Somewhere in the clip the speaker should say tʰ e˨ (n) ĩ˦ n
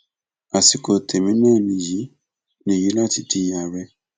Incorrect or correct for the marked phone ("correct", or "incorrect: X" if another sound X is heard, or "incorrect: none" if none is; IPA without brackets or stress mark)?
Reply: incorrect: m